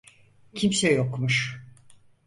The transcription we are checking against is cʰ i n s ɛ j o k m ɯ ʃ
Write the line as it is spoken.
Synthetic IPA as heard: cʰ i m s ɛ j o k m u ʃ